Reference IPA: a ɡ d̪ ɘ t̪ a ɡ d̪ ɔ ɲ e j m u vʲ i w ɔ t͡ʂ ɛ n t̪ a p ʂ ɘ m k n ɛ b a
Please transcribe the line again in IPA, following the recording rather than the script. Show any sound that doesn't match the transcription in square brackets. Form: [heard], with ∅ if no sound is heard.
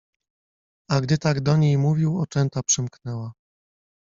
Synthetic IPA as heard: a ɡ d̪ ɘ t̪ a ɡ d̪ ɔ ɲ e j m u vʲ i w ɔ t͡ʂ ɛ n t̪ a p ʂ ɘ m k n ɛ [w] a